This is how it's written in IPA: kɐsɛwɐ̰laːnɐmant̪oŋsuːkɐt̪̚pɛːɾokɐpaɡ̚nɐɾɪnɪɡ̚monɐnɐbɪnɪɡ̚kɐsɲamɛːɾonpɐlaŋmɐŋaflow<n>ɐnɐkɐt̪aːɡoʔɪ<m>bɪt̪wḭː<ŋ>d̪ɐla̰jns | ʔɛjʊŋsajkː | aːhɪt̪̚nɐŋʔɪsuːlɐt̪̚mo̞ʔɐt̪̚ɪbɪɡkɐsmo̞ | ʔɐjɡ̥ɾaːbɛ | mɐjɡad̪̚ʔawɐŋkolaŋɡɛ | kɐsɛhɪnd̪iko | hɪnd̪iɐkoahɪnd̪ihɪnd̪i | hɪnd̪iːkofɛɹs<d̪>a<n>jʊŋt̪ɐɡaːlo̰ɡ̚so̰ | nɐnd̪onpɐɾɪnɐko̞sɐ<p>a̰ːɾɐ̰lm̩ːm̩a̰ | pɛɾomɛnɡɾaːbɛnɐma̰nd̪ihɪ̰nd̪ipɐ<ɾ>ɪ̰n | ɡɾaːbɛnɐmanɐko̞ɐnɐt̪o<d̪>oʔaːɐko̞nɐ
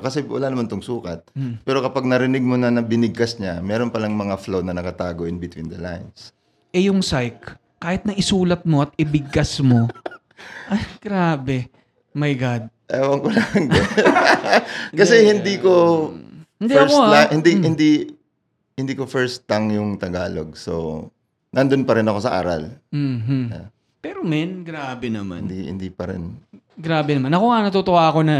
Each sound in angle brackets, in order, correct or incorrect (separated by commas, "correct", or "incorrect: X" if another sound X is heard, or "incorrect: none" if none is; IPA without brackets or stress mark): correct, incorrect: n, incorrect: n, incorrect: t̪, incorrect: ŋ, incorrect: ʔ, correct, incorrect: t̪